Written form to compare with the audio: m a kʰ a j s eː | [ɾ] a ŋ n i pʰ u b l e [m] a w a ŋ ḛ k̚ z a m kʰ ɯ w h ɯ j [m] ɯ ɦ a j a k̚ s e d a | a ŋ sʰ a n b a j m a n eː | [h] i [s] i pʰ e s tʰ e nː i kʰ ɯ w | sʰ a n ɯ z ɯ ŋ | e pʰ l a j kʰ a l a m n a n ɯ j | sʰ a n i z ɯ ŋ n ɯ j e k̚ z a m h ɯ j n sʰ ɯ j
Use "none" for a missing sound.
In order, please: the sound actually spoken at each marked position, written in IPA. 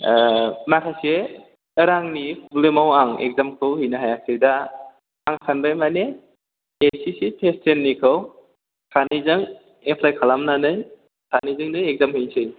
ɾ, m, n, s, s

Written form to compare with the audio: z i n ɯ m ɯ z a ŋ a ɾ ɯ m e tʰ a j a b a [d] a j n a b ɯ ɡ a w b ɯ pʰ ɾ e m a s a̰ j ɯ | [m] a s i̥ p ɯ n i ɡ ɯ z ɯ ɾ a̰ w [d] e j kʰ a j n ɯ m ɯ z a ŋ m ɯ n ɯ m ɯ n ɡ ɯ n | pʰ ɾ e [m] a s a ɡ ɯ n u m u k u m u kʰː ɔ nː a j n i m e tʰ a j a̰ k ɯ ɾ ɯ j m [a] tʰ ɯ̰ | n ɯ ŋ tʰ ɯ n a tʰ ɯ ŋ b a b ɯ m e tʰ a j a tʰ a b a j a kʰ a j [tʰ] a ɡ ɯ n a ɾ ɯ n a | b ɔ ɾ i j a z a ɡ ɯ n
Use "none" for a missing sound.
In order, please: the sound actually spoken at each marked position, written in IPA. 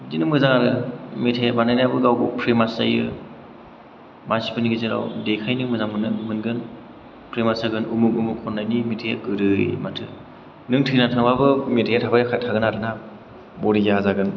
n, m, d, m, a, tʰ

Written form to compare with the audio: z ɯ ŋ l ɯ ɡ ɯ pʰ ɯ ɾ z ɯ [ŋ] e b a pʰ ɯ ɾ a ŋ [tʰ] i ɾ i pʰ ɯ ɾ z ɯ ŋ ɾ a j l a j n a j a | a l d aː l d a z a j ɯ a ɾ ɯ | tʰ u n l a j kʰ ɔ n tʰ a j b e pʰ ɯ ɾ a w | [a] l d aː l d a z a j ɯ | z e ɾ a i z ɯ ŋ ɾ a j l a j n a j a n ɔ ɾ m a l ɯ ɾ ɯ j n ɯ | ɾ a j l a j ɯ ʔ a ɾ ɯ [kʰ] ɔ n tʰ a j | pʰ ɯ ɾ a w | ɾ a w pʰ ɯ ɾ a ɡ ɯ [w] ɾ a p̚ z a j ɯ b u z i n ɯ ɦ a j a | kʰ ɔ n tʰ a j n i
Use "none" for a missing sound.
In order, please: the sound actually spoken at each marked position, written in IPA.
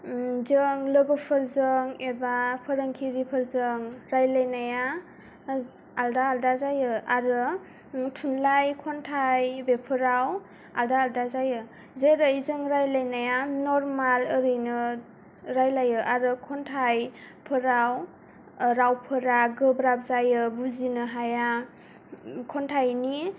ŋ, kʰ, a, kʰ, b

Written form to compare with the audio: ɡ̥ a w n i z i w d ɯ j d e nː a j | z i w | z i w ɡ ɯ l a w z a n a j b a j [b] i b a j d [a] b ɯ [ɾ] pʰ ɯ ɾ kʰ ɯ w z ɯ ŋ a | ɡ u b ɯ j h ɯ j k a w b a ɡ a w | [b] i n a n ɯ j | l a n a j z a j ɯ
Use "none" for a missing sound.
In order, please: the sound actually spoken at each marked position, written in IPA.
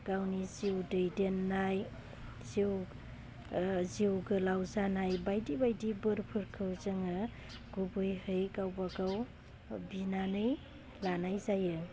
d, i, ɾ, b

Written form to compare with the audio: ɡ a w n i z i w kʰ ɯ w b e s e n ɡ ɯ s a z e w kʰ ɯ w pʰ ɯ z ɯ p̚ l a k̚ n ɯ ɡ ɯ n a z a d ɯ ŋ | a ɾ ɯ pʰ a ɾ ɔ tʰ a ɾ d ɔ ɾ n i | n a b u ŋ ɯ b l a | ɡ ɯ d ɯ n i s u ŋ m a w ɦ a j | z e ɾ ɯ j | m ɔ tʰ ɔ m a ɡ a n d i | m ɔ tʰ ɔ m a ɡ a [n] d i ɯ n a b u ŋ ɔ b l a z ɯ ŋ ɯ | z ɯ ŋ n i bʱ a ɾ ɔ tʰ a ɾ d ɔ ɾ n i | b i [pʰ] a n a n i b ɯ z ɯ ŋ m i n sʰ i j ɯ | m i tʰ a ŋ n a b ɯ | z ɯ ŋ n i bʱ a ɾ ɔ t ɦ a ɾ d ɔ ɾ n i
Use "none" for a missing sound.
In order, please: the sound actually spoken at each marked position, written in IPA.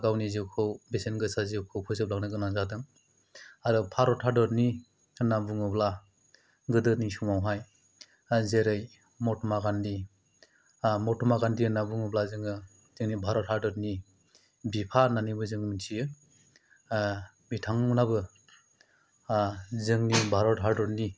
n, pʰ

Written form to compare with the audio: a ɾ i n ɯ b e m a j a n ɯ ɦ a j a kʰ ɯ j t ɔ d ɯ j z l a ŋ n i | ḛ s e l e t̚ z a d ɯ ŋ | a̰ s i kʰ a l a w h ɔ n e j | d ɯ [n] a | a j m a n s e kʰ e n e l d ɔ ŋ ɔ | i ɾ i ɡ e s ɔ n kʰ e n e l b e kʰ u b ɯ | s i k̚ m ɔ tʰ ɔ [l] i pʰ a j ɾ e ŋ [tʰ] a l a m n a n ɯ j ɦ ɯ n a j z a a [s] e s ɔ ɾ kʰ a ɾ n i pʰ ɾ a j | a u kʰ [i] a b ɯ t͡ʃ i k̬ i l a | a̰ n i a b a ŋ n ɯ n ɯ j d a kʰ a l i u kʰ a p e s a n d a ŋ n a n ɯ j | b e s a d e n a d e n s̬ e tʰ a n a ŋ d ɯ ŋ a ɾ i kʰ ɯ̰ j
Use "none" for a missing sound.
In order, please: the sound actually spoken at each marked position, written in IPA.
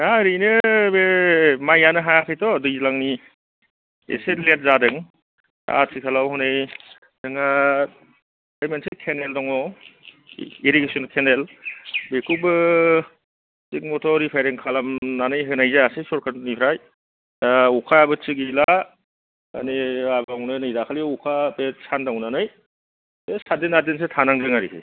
ŋ, ɾ, kʰ, s, a

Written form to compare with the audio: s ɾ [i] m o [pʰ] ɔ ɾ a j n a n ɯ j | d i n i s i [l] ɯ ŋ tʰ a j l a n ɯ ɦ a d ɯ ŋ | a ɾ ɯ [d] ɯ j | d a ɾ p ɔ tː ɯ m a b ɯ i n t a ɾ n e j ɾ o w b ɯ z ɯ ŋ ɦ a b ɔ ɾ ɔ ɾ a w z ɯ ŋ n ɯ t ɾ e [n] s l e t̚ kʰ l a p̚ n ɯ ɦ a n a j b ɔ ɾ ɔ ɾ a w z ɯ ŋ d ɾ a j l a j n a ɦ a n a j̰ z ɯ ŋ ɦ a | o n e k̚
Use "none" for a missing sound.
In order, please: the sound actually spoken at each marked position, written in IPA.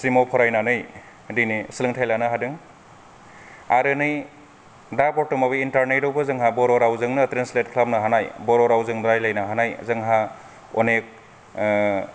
i, pʰ, l, n, n

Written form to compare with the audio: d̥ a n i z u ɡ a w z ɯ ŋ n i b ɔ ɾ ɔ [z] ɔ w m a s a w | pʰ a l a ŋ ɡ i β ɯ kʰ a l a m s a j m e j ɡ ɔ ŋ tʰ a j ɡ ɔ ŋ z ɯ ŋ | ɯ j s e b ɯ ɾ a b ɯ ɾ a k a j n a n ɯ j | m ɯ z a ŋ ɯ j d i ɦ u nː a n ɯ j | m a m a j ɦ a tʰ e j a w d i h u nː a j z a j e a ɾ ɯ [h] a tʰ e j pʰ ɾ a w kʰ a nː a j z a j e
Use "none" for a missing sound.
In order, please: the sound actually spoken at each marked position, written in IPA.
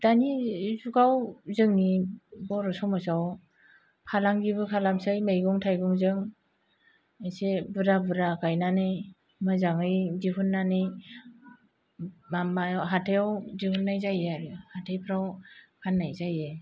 s, h

